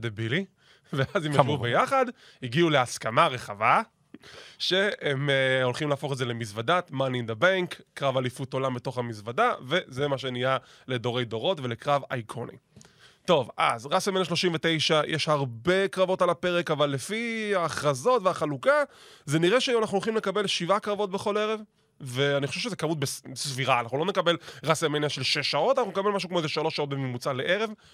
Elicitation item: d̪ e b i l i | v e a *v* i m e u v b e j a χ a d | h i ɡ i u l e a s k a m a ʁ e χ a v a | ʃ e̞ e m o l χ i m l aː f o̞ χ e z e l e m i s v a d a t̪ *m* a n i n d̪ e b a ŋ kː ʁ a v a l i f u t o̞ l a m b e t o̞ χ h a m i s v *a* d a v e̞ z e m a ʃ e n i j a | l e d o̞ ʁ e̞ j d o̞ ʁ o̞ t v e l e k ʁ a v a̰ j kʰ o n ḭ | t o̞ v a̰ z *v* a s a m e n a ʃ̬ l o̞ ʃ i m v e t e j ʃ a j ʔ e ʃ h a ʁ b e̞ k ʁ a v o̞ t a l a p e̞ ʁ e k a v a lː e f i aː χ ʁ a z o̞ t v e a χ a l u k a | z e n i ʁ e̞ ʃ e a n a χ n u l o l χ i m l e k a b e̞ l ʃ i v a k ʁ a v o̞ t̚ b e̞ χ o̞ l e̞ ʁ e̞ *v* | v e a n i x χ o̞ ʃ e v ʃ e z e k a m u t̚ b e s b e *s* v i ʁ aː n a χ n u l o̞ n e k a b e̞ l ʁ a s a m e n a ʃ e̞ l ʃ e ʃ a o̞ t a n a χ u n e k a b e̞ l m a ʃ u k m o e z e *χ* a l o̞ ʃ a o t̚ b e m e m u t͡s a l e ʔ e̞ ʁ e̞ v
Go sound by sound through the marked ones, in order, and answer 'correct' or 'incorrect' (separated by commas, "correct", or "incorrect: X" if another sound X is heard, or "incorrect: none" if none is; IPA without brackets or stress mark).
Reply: incorrect: z, correct, correct, incorrect: ʁ, correct, correct, incorrect: ʃ